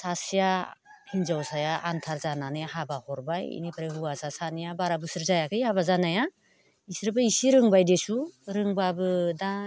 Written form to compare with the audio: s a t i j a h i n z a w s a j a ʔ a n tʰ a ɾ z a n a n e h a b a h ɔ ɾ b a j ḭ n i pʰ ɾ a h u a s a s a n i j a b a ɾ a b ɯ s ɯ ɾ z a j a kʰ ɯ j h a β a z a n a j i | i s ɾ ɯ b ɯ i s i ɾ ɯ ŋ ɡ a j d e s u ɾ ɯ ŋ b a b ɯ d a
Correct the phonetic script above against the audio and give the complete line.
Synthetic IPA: s a s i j a h i n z a w s a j a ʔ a n tʰ a ɾ z a n a n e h a b a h ɔ ɾ b a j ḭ n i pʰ ɾ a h u a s a s a n i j a b a ɾ a b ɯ s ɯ ɾ z a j a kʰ ɯ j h a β a z a n a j a | i s ɾ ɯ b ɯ i s i ɾ ɯ ŋ b a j d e s u ɾ ɯ ŋ b a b ɯ d a